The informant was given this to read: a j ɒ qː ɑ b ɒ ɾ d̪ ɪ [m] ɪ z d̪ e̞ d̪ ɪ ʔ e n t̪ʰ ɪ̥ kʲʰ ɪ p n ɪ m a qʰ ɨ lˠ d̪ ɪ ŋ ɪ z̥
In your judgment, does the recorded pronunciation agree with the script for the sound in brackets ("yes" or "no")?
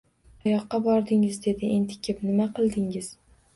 no